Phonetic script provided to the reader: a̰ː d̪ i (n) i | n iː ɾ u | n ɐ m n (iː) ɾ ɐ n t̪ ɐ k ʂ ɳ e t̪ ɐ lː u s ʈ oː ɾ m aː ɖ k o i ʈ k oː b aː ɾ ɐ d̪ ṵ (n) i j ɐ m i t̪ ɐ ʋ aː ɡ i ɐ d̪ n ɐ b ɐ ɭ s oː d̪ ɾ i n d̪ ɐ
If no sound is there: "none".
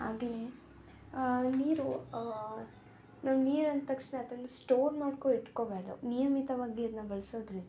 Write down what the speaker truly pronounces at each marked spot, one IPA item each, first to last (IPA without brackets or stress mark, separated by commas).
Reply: n, iː, n